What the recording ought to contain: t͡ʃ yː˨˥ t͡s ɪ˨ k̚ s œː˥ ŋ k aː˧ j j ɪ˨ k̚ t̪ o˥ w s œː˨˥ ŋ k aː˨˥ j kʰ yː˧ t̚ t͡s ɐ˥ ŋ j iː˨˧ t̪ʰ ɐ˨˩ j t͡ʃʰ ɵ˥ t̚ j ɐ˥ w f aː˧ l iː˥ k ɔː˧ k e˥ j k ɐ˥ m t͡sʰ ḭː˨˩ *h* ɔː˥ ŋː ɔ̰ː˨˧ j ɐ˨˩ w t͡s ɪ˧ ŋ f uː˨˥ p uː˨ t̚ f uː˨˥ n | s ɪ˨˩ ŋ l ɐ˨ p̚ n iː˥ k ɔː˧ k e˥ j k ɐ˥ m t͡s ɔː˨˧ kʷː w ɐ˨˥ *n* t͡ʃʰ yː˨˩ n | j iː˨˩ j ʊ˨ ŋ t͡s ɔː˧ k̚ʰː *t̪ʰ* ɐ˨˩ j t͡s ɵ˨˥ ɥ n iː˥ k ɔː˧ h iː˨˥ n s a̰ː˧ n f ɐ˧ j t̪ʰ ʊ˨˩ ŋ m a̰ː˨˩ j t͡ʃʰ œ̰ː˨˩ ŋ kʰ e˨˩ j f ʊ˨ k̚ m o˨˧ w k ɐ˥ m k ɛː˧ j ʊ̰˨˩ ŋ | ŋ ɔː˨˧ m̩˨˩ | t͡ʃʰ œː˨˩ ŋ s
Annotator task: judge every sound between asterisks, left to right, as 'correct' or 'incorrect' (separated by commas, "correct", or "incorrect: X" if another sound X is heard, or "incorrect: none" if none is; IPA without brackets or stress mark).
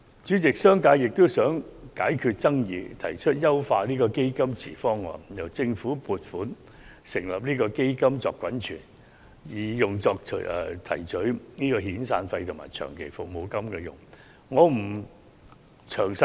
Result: incorrect: f, correct, correct